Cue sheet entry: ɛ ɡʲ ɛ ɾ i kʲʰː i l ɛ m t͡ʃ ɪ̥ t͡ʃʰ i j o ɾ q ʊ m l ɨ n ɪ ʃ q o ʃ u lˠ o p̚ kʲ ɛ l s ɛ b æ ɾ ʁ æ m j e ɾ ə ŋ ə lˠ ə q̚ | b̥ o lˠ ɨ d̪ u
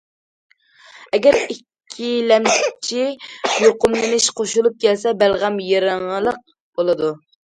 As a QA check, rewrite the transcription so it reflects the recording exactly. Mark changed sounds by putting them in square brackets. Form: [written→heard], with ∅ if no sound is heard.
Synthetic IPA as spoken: ɛ ɡʲ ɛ ɾ i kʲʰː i l ɛ m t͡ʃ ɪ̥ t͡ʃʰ i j o [ɾ→∅] q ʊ m l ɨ n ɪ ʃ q o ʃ u lˠ [o→u] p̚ kʲ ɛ l s ɛ b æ [ɾ→l] ʁ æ m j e ɾ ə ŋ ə lˠ ə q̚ | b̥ o lˠ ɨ d̪ u